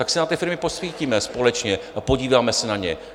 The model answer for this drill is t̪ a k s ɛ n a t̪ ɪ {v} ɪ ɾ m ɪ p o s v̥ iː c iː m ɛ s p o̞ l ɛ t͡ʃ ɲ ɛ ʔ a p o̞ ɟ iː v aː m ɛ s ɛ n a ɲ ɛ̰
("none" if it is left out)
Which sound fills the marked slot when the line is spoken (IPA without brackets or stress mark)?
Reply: f